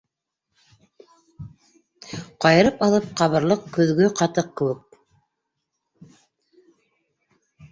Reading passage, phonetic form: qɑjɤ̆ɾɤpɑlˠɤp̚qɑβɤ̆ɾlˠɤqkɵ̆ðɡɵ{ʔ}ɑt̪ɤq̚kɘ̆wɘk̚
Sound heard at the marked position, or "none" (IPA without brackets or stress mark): q